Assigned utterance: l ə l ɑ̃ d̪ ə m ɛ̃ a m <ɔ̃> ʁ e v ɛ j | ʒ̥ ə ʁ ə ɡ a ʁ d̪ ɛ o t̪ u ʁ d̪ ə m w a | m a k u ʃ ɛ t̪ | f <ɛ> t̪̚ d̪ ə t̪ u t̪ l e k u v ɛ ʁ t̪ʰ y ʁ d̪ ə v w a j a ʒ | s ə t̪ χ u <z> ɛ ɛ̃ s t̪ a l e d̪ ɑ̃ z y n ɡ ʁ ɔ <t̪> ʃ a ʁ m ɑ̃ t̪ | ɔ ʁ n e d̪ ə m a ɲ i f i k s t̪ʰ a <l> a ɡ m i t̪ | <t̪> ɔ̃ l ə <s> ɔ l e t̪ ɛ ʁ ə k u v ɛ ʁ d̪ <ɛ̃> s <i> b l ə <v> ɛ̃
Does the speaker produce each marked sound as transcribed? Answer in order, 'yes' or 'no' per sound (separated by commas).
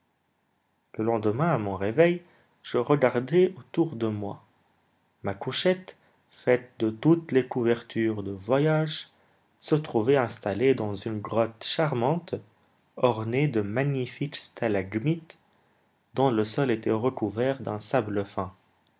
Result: yes, yes, no, yes, yes, no, yes, yes, no, no